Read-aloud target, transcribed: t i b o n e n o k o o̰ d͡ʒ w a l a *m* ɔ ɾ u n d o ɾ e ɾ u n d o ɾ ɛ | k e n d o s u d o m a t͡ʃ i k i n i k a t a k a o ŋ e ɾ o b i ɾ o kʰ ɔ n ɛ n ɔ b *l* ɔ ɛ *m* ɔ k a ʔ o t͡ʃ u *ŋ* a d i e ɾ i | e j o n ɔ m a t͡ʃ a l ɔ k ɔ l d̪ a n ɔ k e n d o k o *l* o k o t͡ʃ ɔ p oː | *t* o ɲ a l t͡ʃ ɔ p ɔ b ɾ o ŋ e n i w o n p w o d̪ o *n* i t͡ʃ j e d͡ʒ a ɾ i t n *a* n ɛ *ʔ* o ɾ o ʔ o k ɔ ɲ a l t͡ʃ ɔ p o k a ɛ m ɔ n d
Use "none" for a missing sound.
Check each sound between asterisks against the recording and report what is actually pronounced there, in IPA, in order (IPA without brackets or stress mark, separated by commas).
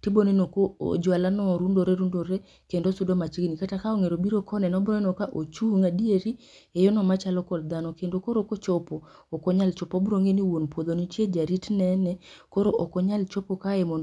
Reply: n, ɾ, n, ŋ, ɾ, k, n, ɛ, k